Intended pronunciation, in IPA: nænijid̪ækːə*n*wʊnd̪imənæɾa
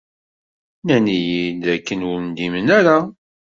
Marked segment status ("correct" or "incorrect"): correct